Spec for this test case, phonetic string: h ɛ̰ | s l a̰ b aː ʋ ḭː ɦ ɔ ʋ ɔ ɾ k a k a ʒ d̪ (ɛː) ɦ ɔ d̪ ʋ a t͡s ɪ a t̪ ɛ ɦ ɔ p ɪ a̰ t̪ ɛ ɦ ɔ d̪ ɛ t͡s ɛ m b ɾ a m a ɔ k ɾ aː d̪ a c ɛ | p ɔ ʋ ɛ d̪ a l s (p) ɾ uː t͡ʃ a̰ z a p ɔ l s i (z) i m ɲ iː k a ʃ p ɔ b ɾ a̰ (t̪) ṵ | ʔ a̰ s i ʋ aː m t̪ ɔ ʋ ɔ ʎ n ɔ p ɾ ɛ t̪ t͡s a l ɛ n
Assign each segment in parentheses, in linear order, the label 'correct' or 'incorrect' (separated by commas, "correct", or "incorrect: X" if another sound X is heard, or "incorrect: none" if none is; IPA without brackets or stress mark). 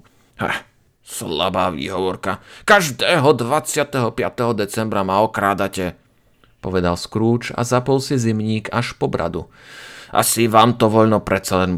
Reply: correct, incorrect: k, correct, incorrect: d̪